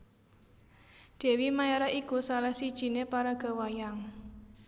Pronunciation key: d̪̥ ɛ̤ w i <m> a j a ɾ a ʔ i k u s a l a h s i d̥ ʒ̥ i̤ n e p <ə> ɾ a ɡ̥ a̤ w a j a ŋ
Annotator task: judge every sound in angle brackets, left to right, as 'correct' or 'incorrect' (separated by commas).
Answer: correct, incorrect